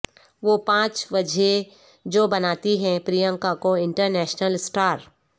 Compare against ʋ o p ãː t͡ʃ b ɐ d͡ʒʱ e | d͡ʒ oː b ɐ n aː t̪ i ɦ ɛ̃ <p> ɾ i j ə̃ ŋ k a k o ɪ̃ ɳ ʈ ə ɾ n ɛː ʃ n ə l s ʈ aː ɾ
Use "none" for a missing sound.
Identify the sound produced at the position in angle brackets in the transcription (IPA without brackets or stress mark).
p